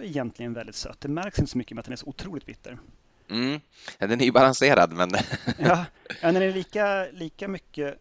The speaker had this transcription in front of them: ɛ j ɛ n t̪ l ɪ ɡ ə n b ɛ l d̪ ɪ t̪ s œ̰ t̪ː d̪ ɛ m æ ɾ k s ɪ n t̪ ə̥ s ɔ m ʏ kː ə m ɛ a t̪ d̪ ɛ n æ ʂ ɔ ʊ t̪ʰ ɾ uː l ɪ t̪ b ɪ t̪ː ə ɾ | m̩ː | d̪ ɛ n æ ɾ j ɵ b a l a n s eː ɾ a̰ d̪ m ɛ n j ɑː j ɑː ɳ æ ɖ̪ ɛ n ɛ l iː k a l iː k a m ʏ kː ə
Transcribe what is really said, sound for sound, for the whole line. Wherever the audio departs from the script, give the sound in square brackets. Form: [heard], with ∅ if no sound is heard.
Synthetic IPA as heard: ɛ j ɛ n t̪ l ɪ ɡ ə n [v] ɛ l d̪ ɪ t̪ s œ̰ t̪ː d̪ ɛ m æ ɾ k s ɪ n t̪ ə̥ s ɔ m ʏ kː ə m ɛ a t̪ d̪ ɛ n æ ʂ ɔ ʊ t̪ʰ ɾ uː l ɪ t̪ b ɪ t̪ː ə ɾ | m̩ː | d̪ ɛ n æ ɾ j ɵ b a l a n s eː ɾ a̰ d̪ m ɛ n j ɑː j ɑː [n] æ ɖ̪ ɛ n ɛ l iː k a l iː k a m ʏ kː ə